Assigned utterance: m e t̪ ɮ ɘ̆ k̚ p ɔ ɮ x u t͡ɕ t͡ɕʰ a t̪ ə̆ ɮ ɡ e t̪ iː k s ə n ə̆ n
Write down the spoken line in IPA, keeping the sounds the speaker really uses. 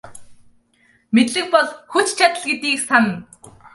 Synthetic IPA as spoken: m e t̪ ɮ ɘ̆ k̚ p ɔ ɮ x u t͡ɕ t͡ɕʰ a t̪ ə̆ ɮ ɡ e t̪ iː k s a n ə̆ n